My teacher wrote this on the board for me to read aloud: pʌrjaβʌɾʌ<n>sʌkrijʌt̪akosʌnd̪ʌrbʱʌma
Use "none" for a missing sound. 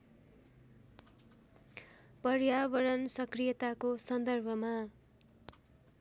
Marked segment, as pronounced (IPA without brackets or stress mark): n